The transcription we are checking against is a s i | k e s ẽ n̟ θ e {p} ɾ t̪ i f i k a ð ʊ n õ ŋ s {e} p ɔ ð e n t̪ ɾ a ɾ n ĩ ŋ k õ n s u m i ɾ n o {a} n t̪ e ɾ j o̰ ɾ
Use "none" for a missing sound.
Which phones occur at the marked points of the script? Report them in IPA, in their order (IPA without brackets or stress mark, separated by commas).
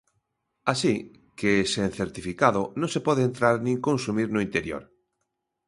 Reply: none, e, i